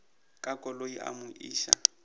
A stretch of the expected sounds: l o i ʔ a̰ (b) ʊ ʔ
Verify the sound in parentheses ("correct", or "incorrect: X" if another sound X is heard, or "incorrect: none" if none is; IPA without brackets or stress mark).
incorrect: m